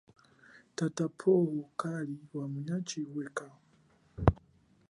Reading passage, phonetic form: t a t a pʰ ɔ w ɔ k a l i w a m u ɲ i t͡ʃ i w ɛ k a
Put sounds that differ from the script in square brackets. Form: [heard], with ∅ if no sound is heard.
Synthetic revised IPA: t a t a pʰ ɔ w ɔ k a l i w a m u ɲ [a] t͡ʃ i w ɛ k a